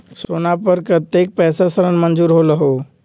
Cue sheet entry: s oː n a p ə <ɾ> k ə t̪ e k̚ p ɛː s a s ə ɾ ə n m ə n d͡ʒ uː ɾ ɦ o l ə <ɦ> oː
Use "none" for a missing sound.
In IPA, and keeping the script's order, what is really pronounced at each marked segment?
ɾ, ɦ

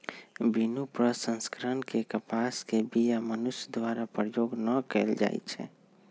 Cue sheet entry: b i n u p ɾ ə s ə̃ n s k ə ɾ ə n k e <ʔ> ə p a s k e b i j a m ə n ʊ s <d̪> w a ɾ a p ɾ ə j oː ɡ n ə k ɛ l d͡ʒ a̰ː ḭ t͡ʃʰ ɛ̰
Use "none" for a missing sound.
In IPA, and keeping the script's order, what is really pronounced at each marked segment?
k, d̪

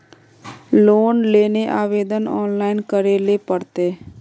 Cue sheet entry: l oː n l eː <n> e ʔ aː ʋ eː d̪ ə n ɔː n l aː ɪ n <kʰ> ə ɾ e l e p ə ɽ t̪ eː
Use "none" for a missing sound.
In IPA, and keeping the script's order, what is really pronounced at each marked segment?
n, k

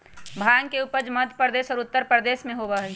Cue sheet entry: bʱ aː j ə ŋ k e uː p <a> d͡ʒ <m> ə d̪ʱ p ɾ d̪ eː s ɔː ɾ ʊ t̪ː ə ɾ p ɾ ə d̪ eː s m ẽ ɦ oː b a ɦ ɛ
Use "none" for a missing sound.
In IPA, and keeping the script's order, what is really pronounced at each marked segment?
ə, m

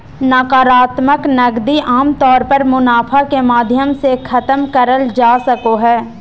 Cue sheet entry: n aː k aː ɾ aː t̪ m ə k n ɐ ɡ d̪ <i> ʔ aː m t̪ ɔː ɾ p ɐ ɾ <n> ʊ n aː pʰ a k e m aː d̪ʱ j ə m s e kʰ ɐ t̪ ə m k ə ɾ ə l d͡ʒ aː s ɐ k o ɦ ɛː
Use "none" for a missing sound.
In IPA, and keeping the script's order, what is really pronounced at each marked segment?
i, m

